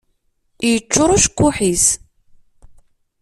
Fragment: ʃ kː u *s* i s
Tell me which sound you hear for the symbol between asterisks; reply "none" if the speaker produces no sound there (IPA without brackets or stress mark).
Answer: ħ